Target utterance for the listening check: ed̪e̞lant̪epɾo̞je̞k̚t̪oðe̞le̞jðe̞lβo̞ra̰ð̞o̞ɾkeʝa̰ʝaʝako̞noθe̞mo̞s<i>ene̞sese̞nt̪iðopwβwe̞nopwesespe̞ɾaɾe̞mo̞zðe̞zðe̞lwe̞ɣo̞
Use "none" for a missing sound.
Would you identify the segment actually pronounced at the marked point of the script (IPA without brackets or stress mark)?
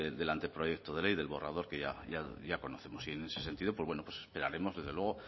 i